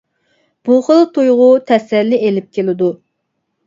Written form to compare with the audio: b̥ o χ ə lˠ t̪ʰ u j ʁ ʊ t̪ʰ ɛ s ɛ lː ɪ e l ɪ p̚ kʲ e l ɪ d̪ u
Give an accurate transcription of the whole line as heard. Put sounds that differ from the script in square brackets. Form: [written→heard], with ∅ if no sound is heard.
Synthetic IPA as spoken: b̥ [o→u] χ ə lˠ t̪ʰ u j ʁ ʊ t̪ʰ ɛ s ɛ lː ɪ e l ɪ p̚ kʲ e l ɪ d̪ u